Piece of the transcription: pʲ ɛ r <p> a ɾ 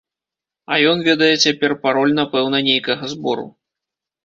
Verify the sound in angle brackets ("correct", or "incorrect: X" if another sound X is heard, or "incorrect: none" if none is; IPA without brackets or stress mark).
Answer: correct